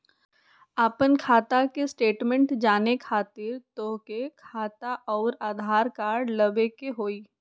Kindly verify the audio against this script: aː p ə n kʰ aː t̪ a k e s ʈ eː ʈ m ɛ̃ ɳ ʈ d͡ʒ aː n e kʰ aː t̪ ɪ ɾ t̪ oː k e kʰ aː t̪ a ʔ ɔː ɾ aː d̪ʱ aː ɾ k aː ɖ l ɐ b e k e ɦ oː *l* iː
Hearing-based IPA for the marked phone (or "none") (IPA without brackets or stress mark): none